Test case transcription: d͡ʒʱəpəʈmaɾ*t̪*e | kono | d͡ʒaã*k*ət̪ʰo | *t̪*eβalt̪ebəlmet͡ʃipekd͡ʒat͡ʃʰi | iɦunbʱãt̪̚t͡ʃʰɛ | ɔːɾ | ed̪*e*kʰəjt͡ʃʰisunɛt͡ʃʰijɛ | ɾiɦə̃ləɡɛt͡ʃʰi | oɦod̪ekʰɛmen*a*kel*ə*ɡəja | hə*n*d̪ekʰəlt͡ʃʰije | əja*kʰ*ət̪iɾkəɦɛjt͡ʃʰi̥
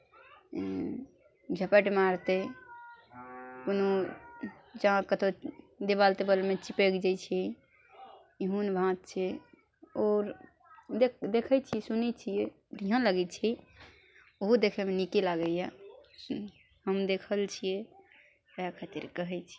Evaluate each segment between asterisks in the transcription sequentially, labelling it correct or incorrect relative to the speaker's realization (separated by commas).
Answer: correct, correct, incorrect, correct, incorrect, incorrect, incorrect, correct